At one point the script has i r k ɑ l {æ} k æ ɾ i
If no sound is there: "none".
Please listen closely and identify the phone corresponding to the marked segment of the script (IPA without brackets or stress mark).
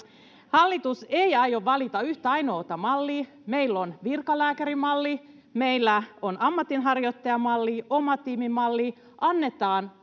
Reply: æː